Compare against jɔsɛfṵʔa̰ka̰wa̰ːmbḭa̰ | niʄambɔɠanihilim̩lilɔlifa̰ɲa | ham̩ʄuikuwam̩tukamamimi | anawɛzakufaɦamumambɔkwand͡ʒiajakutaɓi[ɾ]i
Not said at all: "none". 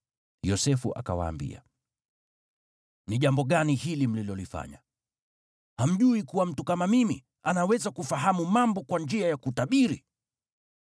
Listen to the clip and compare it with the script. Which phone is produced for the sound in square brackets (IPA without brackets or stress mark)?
ɾ